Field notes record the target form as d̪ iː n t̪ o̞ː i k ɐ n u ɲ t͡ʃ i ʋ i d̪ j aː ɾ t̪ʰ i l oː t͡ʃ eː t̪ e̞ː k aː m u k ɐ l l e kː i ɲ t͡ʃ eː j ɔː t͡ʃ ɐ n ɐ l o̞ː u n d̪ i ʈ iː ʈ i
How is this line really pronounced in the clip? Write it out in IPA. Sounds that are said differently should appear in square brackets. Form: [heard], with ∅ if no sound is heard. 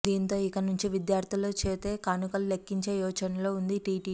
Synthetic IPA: d̪ iː n t̪ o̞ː i k ɐ n u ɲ t͡ʃ i ʋ i d̪ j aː ɾ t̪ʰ i l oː t͡ʃ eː t̪ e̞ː k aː [n] u k ɐ l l e kː i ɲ t͡ʃ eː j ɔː t͡ʃ ɐ n ɐ l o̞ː u n d̪ i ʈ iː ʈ i